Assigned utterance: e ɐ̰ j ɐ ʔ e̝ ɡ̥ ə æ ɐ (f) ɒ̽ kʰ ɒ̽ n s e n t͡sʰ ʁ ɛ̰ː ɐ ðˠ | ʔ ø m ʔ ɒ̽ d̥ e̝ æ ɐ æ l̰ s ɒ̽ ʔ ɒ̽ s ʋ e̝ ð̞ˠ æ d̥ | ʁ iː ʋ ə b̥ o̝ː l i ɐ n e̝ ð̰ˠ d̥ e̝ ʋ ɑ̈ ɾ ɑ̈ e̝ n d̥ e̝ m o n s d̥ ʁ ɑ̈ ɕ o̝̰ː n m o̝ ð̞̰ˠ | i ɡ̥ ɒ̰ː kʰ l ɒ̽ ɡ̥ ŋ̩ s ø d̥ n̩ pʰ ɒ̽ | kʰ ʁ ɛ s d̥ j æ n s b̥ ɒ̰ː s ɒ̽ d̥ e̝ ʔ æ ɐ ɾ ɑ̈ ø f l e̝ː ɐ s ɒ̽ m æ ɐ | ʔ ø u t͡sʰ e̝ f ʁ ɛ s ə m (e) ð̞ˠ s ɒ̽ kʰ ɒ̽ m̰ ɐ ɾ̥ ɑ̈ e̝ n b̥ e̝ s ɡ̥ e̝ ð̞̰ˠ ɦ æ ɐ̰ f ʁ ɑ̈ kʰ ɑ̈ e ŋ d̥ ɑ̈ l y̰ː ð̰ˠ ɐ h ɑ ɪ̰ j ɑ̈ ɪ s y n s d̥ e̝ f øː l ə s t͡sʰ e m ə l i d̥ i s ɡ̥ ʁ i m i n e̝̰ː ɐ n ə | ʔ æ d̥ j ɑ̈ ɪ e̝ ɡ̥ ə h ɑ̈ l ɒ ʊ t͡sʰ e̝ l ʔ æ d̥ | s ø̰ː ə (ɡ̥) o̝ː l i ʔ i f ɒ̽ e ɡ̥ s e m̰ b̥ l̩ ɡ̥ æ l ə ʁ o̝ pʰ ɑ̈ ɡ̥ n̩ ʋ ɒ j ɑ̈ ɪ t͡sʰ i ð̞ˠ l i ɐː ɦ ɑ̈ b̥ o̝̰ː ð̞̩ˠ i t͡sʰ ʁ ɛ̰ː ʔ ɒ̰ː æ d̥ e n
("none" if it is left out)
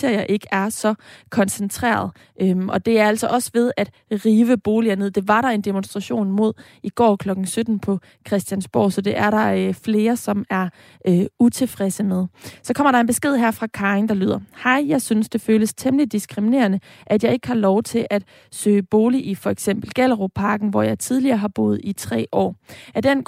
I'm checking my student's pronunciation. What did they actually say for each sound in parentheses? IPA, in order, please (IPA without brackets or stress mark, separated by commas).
s, e, b̥